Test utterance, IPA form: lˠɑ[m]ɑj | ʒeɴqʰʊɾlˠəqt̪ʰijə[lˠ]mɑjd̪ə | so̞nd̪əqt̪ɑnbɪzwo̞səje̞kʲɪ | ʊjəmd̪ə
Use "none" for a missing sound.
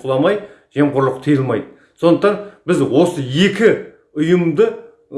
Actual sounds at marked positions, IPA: m, lˠ

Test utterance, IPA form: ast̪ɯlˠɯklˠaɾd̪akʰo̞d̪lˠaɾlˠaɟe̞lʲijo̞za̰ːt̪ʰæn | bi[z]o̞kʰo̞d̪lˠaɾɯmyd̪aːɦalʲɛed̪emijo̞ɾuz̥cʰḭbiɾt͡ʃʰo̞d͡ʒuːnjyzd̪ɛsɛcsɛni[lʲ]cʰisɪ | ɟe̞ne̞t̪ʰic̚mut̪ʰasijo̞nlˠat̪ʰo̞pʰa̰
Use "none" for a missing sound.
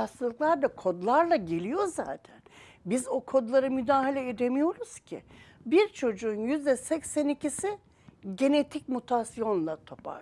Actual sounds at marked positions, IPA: z, none

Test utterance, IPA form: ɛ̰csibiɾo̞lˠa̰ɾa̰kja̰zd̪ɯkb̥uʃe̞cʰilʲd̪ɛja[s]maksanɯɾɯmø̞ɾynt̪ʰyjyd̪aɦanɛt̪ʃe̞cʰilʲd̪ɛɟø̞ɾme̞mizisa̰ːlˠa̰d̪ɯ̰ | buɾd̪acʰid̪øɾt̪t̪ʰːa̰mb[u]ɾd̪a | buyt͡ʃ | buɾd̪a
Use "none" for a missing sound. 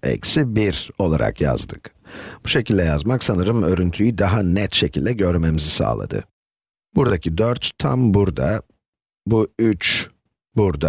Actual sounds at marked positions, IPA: z, u

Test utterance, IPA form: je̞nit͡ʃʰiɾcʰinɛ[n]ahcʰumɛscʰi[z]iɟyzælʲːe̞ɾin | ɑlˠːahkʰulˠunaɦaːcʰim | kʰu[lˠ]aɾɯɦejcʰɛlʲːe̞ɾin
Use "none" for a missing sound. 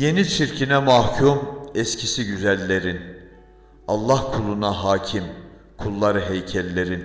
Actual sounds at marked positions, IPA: m, s, lˠː

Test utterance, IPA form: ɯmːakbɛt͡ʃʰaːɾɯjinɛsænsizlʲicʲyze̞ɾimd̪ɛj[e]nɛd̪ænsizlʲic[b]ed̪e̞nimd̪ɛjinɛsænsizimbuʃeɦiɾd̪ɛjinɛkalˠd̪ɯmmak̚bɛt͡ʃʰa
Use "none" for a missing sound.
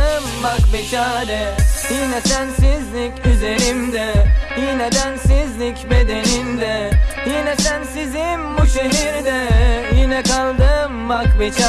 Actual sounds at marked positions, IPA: i, b

